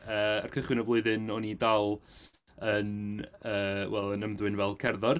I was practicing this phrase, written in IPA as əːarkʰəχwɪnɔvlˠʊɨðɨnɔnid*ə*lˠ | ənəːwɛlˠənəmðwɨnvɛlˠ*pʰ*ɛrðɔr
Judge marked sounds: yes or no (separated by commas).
no, no